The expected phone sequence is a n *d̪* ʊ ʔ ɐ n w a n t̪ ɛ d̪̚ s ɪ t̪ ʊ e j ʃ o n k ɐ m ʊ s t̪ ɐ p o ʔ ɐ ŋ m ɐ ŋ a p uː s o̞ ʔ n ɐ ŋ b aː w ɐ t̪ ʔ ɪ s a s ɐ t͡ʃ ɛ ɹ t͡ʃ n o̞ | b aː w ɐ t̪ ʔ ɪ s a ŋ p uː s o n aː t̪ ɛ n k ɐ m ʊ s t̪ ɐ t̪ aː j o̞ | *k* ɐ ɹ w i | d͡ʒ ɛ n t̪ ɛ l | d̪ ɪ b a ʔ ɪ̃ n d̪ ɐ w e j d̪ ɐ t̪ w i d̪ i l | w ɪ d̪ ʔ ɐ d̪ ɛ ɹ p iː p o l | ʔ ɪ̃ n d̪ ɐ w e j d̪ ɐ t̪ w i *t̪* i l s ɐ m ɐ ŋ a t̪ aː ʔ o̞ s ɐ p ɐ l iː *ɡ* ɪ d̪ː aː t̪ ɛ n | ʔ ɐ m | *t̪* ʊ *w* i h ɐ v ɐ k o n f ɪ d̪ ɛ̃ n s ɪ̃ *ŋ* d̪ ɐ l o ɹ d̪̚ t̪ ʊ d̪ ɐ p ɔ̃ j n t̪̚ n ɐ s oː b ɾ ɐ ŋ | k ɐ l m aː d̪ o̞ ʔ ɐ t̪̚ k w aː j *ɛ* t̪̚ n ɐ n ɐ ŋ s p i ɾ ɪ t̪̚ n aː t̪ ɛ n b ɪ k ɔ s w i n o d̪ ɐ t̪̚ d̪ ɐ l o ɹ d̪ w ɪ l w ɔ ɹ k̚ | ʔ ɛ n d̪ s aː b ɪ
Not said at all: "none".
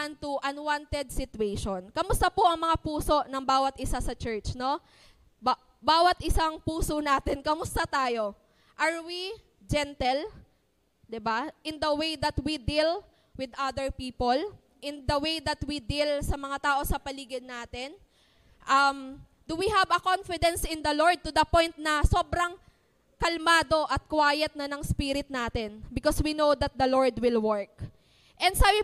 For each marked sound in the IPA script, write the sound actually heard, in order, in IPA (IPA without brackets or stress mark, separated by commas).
t̪, ʔ, d̪, ɡ, d̪, w, n, ɛ